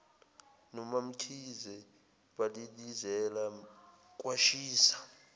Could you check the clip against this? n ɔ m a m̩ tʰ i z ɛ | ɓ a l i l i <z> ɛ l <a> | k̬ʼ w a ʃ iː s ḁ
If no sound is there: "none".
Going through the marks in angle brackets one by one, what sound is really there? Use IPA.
z, a

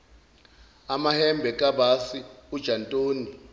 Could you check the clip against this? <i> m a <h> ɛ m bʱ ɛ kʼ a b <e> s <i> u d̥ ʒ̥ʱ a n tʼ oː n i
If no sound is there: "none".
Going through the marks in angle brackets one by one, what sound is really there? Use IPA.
a, h, a, i

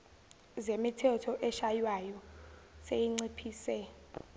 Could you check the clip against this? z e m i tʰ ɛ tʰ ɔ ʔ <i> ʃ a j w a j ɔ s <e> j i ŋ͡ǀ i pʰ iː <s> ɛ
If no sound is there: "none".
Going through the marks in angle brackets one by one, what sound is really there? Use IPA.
ɛ, e, s

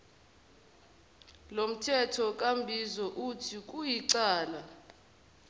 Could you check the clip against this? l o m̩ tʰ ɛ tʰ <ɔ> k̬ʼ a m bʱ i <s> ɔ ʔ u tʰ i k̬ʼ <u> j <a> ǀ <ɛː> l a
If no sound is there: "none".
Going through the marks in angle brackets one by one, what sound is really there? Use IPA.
ɔ, z, u, i, aː

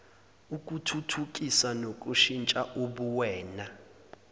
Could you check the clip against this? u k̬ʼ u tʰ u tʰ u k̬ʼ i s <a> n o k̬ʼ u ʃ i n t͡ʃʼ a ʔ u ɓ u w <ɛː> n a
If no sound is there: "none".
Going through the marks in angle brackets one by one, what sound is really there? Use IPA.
a, ɛː

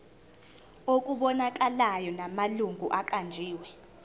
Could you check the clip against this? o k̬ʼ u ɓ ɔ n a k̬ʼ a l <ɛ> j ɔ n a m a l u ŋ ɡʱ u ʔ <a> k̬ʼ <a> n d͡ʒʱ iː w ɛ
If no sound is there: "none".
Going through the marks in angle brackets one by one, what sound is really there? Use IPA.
a, a, a

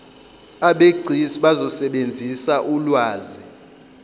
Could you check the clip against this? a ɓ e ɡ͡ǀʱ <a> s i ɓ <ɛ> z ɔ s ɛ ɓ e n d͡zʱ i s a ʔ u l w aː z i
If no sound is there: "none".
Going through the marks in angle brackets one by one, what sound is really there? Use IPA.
i, a

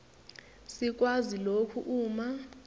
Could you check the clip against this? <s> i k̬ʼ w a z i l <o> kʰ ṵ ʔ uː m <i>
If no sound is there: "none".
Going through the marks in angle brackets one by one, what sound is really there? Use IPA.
s, o, a

